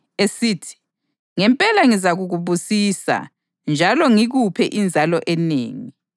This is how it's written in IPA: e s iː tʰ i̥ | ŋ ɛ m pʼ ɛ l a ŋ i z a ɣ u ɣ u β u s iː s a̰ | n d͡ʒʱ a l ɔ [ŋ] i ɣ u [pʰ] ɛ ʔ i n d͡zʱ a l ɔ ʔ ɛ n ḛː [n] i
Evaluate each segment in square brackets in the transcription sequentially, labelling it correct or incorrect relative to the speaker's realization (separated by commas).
correct, correct, incorrect